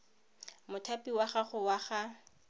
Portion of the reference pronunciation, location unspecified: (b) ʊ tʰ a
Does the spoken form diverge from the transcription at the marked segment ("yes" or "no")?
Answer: yes